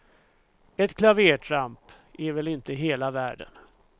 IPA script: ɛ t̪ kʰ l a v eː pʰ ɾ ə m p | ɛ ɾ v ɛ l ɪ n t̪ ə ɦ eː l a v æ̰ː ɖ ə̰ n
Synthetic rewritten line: ɛ t̪ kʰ l a v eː ʈʰ ɾ a m p | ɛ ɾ v ɛ l ɪ n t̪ ə ɦ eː l a v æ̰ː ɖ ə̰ n